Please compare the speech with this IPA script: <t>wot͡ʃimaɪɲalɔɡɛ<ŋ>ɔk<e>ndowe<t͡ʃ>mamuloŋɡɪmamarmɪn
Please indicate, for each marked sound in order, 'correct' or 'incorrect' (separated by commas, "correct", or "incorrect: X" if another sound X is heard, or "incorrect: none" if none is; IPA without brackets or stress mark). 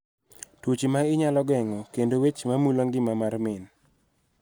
correct, correct, correct, correct